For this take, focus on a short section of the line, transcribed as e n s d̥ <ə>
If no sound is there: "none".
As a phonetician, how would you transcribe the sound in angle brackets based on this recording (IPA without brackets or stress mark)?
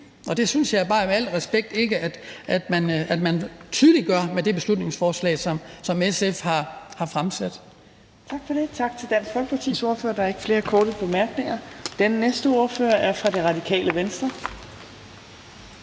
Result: ɐ